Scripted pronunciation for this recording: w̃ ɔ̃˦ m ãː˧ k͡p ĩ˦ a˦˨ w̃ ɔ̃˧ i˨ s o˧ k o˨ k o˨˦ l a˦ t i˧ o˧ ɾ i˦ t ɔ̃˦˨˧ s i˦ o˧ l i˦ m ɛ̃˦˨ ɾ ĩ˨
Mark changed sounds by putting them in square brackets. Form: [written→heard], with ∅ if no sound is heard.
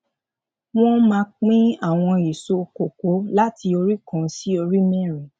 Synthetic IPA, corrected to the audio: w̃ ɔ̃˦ m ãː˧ k͡p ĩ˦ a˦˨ w̃ ɔ̃˧ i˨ s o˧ k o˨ k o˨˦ l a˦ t i˧ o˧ ɾ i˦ [t→k] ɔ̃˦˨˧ s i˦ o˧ [l→ɾ] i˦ m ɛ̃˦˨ ɾ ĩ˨